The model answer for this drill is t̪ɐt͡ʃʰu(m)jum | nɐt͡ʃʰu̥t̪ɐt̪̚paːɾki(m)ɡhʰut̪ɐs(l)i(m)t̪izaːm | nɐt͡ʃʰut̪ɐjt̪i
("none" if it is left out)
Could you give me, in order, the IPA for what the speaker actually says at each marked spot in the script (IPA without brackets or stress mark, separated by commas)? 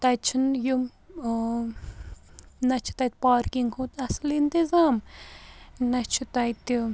n, ŋ, l, n